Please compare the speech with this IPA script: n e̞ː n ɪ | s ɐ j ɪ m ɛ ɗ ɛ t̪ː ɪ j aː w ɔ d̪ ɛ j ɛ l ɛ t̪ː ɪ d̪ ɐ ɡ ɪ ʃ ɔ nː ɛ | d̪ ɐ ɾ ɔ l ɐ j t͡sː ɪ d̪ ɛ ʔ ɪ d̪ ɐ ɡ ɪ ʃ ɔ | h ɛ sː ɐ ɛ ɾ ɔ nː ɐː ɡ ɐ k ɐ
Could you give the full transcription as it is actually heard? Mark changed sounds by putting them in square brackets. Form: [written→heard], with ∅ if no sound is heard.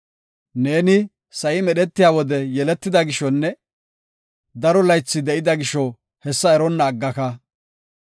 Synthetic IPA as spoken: n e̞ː n ɪ | s ɐ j ɪ m ɛ ɗ ɛ t̪ː ɪ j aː w ɔ d̪ ɛ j ɛ l ɛ t̪ː ɪ d̪ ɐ ɡ ɪ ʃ ɔ nː ɛ | d̪ ɐ ɾ ɔ l ɐ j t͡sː ɪ d̪ ɛ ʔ ɪ d̪ ɐ ɡ ɪ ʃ ɔ | h ɛ sː ɐ ɛ ɾ ɔ nː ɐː [ɡ→ɡː] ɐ k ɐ

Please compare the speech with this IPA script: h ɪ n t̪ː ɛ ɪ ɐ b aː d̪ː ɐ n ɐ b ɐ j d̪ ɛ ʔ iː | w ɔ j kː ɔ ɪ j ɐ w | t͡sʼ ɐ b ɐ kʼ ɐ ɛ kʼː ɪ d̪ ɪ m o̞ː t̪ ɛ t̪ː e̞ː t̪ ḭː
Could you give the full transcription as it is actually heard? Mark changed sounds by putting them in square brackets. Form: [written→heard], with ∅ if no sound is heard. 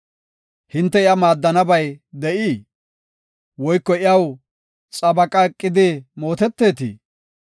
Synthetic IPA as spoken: h ɪ n t̪ː ɛ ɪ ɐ [b→m] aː d̪ː ɐ n ɐ b ɐ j d̪ ɛ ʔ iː | w ɔ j kː ɔ ɪ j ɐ w | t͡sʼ ɐ b ɐ kʼ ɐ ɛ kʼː ɪ d̪ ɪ m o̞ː t̪ ɛ t̪ː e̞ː t̪ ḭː

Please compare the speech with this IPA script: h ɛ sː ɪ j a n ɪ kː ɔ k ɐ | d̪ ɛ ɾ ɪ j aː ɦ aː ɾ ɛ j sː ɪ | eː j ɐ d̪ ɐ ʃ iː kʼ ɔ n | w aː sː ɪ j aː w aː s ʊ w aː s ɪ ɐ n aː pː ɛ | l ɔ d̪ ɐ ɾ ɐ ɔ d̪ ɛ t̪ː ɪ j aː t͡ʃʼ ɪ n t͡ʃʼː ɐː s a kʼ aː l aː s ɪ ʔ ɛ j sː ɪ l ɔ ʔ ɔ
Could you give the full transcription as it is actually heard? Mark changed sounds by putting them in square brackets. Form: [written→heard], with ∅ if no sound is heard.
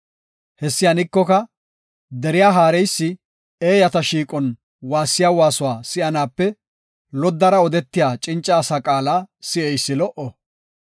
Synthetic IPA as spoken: h ɛ sː ɪ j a n ɪ kː ɔ k ɐ | d̪ ɛ ɾ ɪ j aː ɦ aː ɾ ɛ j sː ɪ | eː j ɐ [d̪→t̪] ɐ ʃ iː kʼ ɔ n | w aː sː ɪ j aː w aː s ʊ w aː s ɪ ɐ n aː pː ɛ | l ɔ [d̪→d̪ː] ɐ ɾ ɐ ɔ d̪ ɛ t̪ː ɪ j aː t͡ʃʼ ɪ n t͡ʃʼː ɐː s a kʼ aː l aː s ɪ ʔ ɛ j sː ɪ l ɔ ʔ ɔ

